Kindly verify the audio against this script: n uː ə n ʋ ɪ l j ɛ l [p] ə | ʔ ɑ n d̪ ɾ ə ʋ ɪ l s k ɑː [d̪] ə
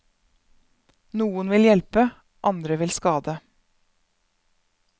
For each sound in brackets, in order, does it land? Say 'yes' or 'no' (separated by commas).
yes, yes